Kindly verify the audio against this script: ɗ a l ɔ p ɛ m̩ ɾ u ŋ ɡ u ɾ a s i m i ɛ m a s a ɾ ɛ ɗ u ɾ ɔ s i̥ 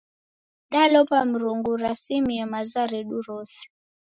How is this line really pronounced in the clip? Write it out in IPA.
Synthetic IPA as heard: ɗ a l ɔ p a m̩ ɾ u ŋ ɡ u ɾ a s i m i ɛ m a z a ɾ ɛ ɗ u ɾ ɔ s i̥